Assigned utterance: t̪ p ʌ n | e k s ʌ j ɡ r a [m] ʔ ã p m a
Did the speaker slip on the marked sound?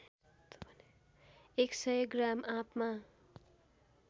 no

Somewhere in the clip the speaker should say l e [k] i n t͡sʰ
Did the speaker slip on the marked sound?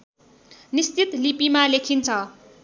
yes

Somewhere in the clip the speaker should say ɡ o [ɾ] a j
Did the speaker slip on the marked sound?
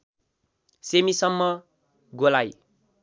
yes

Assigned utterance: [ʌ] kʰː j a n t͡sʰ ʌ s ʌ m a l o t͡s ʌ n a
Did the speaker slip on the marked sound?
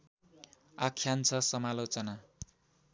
yes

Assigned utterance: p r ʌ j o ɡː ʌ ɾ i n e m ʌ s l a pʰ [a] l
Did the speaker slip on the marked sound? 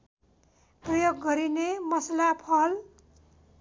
yes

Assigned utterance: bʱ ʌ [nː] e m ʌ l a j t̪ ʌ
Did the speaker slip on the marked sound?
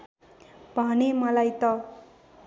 yes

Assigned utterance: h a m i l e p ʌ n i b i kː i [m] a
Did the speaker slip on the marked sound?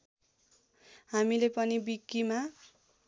no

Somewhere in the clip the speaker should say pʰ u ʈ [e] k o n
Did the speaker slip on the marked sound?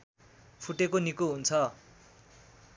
no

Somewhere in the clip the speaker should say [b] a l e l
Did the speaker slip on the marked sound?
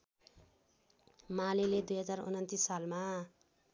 yes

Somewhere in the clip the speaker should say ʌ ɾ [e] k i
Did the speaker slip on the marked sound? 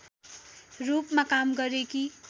no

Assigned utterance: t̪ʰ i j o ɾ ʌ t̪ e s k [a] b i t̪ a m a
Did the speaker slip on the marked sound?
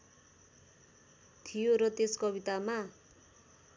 yes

